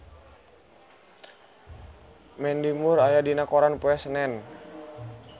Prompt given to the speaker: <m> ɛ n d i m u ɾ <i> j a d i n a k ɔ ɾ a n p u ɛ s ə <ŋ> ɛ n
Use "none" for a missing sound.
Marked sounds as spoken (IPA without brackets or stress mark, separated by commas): m, a, n